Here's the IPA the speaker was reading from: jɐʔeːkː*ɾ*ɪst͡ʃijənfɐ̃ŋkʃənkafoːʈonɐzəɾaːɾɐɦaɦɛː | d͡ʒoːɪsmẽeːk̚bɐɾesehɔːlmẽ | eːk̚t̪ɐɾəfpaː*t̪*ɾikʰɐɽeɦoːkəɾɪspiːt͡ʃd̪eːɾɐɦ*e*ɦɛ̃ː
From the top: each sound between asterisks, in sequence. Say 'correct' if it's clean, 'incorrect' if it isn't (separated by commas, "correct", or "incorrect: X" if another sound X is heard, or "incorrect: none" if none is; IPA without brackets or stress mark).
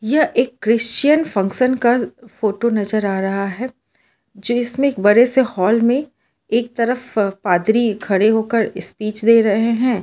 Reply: correct, incorrect: d̪, correct